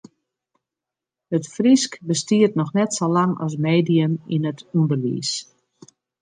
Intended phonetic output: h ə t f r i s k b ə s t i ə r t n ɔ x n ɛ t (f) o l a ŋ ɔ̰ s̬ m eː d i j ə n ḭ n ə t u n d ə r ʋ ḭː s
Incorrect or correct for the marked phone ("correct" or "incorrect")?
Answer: incorrect